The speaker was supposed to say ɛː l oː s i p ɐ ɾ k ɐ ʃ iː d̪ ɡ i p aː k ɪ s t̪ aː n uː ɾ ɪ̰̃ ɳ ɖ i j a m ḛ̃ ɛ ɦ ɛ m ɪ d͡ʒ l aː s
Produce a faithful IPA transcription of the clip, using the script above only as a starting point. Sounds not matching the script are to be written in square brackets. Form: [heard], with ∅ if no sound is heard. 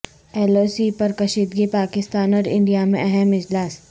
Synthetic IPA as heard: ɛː l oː s i p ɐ ɾ k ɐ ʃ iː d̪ ɡ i p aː k ɪ s t̪ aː n [ɔː] ɾ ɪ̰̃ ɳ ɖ i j a m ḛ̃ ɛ ɦ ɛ m ɪ d͡ʒ l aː s